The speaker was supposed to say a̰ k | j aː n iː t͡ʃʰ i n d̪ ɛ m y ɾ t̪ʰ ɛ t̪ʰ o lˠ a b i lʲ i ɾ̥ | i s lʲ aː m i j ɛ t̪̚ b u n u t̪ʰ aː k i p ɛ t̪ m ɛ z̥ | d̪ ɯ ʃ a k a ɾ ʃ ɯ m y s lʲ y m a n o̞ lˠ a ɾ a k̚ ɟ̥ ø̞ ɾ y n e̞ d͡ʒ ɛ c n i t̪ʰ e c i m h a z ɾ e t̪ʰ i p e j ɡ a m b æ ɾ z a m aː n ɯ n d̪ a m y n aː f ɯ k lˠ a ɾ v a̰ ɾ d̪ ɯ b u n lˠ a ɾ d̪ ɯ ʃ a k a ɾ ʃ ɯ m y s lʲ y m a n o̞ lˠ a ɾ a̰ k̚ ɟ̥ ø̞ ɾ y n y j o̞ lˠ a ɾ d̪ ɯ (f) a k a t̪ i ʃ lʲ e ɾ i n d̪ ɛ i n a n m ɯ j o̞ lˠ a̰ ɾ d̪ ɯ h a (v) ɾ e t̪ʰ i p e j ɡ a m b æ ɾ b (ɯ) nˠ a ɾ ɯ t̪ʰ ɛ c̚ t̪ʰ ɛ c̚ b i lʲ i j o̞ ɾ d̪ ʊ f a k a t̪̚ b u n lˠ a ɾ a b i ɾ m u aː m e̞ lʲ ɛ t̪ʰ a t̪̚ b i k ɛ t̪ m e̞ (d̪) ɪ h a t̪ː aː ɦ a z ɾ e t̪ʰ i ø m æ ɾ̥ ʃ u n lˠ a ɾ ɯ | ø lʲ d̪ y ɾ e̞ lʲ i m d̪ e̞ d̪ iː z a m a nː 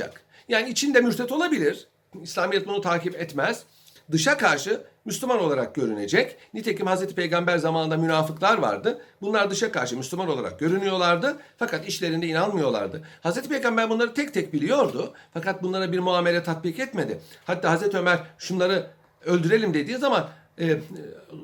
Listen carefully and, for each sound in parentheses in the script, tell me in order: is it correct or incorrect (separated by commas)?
correct, incorrect, incorrect, correct